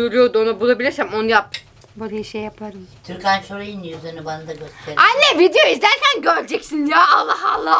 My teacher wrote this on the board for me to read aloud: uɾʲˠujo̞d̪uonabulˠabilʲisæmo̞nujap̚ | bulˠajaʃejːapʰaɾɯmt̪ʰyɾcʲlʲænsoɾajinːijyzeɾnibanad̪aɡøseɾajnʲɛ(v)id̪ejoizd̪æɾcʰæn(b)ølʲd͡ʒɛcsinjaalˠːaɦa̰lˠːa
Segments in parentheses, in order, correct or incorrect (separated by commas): correct, incorrect